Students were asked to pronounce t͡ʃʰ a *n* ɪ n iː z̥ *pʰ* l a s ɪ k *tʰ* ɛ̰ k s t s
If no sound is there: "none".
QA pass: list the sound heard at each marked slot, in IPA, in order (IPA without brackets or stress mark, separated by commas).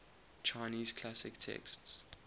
none, kʰ, tʰ